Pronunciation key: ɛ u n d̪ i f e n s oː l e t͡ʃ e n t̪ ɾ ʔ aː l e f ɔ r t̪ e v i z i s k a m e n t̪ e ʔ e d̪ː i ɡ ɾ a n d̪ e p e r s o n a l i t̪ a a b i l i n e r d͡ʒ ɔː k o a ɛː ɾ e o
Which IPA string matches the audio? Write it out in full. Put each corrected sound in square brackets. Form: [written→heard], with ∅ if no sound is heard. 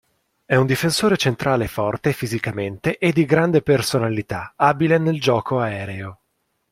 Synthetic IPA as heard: ɛ u n d̪ i f e n s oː [l→ɾ] e t͡ʃ e n t̪ ɾ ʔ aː l e f ɔ r t̪ e [v→f] i z i [s→∅] k a m e n t̪ e ʔ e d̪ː i ɡ ɾ a n d̪ e p e r s o n a l i t̪ a a b i l [i→e] n e [r→l] d͡ʒ ɔː k o a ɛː ɾ e o